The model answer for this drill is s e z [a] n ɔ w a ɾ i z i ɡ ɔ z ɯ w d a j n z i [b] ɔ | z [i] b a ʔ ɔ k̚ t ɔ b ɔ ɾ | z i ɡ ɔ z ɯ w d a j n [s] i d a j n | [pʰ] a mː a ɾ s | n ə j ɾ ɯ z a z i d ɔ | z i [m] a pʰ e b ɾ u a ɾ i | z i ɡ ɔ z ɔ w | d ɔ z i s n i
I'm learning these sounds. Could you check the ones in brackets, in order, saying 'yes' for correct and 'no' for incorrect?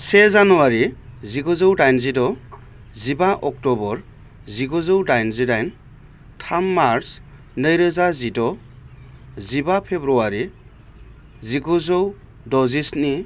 yes, no, yes, no, no, no

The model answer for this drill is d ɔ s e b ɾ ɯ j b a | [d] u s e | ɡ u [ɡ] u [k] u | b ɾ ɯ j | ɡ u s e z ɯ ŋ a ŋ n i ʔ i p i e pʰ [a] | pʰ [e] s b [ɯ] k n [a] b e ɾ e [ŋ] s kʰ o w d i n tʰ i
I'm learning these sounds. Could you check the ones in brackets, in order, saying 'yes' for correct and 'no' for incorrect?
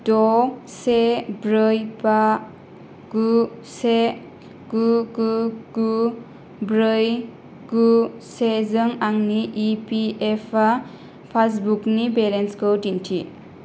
no, yes, no, yes, no, no, no, no

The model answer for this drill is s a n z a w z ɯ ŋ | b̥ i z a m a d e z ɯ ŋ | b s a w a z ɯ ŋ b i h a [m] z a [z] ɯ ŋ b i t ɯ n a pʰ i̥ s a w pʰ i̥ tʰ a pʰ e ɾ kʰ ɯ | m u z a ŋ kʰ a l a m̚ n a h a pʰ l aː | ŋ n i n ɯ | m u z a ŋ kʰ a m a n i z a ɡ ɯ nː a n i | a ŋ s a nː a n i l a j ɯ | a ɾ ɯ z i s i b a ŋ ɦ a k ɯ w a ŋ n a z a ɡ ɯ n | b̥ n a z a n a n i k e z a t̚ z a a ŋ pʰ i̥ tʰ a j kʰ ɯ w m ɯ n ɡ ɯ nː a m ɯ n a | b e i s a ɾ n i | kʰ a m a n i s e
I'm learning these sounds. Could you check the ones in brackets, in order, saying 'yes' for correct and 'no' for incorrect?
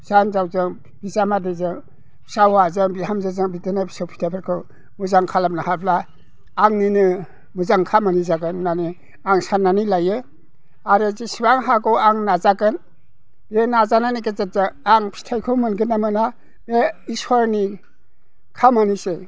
yes, yes

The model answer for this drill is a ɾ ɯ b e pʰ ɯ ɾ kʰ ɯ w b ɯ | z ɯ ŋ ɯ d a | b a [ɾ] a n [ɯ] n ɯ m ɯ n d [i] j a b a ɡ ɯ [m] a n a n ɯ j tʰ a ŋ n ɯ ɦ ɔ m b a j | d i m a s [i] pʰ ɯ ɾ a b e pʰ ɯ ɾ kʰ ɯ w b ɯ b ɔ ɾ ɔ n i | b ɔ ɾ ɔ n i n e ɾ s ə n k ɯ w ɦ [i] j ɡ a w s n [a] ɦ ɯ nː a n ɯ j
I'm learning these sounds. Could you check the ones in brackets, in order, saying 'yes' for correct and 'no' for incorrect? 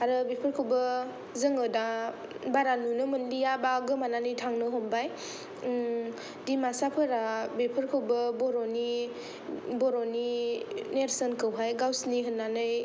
yes, no, yes, yes, no, no, no

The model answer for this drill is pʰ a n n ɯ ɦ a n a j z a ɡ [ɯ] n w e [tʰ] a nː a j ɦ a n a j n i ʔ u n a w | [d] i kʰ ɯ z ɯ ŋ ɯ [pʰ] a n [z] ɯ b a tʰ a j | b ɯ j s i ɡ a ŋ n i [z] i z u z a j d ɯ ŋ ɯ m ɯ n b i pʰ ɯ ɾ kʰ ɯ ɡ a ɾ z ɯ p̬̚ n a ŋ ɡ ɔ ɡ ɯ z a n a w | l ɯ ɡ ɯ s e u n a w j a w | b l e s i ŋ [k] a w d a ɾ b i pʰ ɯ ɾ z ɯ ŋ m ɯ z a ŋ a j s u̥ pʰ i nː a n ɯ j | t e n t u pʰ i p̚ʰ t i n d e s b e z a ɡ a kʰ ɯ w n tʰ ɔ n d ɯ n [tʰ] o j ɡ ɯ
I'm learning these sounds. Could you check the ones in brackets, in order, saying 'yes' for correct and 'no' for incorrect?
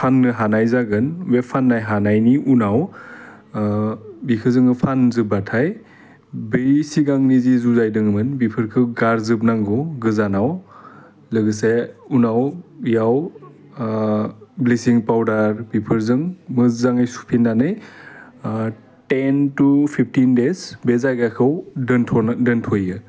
yes, no, no, yes, yes, yes, no, yes

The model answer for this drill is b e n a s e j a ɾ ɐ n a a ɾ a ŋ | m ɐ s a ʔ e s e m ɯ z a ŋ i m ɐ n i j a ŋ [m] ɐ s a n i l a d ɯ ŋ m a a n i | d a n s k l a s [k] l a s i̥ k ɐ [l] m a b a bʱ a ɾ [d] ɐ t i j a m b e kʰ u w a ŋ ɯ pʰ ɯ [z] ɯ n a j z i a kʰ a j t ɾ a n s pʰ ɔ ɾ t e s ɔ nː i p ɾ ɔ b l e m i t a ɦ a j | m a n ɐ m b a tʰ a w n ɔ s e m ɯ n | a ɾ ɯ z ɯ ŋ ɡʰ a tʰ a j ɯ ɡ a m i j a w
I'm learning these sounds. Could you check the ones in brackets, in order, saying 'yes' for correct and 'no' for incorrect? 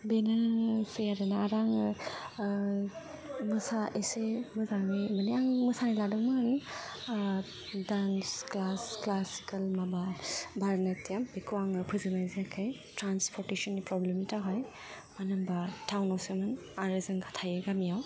yes, yes, yes, no, yes

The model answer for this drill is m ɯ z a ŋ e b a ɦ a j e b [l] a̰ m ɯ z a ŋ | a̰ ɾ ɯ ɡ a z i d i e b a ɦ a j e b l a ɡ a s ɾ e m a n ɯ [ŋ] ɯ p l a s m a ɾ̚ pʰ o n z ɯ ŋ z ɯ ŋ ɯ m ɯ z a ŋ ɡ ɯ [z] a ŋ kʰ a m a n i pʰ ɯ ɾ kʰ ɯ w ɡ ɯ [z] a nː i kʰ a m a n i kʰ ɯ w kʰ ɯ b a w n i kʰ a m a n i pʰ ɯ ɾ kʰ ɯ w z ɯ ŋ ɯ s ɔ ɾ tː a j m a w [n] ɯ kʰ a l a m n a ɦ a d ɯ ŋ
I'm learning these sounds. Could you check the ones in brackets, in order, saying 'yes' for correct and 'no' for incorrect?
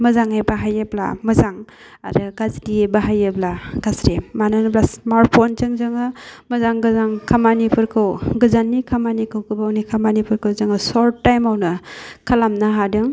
yes, no, yes, yes, yes

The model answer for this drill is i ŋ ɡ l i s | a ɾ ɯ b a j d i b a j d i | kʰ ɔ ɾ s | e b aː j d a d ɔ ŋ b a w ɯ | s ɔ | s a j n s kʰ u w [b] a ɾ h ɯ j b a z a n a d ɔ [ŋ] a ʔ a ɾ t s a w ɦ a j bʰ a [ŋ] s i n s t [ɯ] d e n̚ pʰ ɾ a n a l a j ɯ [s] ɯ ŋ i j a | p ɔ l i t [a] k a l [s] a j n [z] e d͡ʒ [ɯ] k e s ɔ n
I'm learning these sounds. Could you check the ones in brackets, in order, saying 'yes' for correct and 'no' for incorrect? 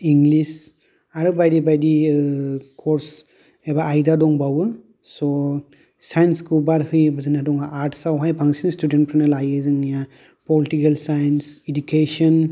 yes, yes, yes, no, no, no, yes, no, no

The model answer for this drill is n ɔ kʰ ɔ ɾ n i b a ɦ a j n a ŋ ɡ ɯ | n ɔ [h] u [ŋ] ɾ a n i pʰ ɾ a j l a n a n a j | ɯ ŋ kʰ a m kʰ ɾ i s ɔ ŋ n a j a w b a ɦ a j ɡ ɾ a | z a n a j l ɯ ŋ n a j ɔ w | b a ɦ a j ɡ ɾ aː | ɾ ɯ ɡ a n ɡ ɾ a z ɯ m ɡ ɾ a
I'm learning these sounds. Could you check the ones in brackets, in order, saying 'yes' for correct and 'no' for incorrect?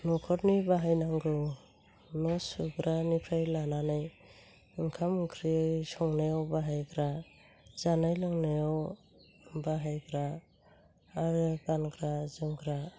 no, no

